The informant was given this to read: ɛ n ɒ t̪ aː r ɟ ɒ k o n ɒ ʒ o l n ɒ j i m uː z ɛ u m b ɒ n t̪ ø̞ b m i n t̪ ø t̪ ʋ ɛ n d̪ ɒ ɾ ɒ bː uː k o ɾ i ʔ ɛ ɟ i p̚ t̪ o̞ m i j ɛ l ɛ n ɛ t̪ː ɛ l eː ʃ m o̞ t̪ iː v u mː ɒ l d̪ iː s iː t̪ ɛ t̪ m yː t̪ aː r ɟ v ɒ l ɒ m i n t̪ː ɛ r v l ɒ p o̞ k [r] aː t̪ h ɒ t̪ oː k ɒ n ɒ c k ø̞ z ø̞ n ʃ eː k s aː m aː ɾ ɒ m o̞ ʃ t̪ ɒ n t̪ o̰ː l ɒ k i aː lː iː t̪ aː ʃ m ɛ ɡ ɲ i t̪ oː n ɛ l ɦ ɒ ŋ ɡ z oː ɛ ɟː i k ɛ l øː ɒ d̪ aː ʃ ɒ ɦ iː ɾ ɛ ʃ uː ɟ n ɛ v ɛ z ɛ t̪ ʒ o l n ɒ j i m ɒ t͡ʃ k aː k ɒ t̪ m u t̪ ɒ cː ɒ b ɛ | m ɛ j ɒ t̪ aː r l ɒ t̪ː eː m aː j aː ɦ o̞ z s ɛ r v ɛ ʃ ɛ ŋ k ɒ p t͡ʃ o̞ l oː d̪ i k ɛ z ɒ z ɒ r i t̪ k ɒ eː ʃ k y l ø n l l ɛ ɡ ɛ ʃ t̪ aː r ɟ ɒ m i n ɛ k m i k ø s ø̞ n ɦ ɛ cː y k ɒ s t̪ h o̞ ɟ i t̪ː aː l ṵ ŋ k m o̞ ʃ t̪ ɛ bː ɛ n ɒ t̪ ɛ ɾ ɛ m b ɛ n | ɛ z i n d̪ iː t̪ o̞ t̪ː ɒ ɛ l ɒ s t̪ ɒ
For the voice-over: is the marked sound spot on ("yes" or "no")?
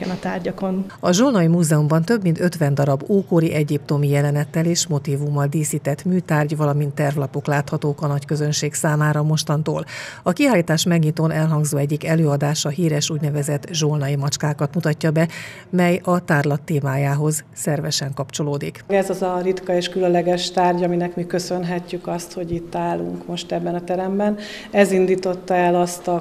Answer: no